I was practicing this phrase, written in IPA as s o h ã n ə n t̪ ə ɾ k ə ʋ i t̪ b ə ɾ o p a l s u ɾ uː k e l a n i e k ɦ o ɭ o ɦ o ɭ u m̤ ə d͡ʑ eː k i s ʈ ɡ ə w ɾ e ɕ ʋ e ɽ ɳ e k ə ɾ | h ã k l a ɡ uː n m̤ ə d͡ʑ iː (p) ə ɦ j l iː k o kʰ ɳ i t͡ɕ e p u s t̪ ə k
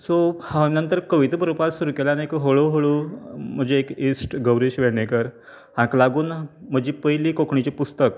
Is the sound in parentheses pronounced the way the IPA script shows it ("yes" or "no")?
yes